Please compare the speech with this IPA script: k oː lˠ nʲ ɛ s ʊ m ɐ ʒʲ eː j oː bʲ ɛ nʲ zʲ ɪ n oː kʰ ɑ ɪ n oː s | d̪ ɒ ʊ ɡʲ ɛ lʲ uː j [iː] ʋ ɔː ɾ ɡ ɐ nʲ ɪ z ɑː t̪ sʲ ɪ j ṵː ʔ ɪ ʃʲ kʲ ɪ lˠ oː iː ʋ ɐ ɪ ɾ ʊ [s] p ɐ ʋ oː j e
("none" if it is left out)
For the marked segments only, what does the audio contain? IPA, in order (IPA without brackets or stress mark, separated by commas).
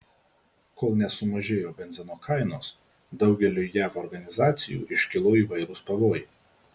æː, s